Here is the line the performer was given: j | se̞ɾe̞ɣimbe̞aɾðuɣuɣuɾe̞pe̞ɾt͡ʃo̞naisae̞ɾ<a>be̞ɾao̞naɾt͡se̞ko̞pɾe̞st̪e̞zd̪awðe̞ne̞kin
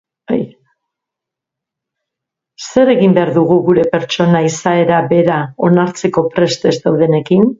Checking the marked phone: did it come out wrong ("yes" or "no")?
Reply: no